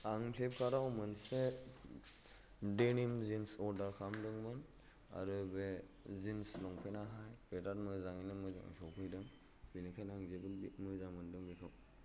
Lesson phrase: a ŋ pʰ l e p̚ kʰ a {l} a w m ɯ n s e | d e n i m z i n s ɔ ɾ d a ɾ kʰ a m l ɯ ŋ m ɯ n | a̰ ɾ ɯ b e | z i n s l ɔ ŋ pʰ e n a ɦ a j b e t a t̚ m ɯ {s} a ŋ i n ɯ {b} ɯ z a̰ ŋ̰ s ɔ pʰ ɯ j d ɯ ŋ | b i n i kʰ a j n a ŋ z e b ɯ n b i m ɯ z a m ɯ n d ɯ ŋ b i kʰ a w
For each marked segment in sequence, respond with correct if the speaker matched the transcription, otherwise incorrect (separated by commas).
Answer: incorrect, incorrect, incorrect